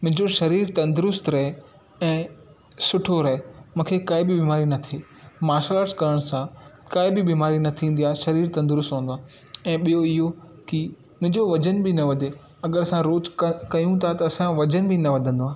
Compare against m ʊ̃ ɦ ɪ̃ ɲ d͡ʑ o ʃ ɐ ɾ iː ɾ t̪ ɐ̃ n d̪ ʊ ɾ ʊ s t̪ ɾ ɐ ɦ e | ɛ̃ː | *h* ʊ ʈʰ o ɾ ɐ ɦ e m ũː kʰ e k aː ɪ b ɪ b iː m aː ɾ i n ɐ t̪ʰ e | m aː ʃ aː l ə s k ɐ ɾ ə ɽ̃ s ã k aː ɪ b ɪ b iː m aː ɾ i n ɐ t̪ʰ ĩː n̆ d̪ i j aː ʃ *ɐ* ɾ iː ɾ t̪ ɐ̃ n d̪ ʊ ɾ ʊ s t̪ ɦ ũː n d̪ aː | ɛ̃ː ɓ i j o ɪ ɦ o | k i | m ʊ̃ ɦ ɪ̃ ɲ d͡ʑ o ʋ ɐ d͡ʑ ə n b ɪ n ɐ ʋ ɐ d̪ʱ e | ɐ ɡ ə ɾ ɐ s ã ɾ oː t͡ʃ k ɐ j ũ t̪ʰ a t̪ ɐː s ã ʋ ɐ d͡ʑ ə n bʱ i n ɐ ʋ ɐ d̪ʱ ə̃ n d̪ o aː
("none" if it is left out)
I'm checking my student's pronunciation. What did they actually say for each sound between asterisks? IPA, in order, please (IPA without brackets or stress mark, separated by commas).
s, ɐ